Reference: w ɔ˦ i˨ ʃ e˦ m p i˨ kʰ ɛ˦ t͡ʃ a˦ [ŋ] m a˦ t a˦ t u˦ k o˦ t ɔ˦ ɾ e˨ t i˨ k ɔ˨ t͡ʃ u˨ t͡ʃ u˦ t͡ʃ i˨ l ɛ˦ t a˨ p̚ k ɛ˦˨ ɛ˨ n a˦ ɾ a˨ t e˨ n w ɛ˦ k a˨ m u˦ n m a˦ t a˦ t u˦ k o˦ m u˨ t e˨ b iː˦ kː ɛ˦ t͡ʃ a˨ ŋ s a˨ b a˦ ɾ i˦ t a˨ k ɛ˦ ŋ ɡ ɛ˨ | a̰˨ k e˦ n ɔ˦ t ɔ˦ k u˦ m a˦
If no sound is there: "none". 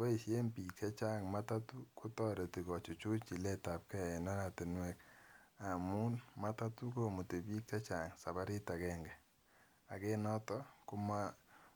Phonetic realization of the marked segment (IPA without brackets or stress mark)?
ŋ